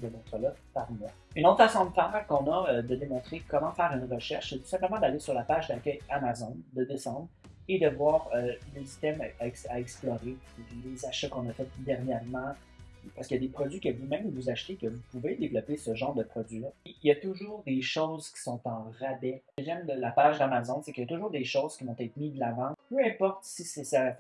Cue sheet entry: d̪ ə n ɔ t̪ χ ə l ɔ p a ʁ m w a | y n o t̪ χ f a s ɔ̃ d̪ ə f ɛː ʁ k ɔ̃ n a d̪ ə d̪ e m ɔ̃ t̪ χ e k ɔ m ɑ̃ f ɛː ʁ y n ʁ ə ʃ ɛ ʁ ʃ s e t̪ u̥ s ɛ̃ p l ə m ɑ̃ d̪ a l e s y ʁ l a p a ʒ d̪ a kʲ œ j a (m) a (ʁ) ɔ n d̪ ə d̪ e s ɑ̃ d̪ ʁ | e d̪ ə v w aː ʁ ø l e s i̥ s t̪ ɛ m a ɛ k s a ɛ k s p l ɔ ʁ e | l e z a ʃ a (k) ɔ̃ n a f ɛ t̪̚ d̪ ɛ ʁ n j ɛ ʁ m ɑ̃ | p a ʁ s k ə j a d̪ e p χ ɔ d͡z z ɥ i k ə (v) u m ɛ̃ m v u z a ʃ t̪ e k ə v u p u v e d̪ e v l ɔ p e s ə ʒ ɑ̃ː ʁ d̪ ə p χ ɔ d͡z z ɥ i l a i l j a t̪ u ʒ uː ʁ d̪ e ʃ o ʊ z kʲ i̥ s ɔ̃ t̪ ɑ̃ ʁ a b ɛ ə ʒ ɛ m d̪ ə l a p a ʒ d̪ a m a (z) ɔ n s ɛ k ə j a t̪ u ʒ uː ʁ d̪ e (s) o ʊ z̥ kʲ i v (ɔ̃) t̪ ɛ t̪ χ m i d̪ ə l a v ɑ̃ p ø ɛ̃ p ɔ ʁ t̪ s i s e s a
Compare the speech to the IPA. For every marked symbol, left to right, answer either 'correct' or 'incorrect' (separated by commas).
correct, incorrect, correct, correct, correct, incorrect, correct